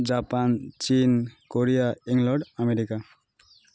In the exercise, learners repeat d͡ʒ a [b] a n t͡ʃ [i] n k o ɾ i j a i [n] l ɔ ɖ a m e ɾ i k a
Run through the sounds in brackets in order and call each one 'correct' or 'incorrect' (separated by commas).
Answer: incorrect, correct, incorrect